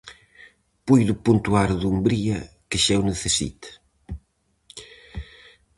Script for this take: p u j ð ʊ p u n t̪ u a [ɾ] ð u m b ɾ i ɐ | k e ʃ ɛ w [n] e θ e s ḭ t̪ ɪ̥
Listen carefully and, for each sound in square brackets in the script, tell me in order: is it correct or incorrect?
correct, correct

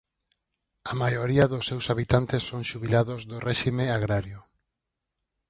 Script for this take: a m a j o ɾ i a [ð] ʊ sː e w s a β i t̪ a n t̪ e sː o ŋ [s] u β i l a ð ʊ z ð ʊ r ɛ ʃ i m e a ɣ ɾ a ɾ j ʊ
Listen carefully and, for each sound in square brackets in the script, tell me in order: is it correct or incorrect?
correct, incorrect

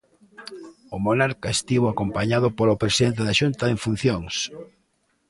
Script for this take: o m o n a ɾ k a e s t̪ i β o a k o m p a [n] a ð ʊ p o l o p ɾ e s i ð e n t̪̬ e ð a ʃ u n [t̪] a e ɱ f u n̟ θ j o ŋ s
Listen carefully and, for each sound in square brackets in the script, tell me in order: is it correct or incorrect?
incorrect, correct

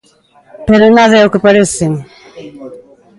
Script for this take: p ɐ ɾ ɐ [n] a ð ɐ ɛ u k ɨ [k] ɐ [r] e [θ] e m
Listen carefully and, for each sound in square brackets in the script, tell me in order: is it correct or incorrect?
correct, incorrect, incorrect, incorrect

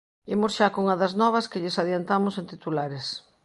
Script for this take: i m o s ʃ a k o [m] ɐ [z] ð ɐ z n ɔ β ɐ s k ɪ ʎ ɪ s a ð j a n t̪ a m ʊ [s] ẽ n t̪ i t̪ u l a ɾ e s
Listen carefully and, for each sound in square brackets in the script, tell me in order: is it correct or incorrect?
incorrect, incorrect, correct

